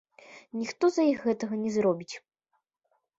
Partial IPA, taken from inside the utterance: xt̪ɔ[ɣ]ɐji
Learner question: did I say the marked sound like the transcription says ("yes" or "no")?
no